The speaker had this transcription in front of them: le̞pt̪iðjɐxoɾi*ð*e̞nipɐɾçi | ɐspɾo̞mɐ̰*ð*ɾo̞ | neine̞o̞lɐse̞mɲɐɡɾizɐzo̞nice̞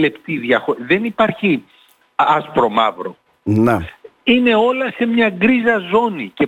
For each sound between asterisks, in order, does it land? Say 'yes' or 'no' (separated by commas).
yes, no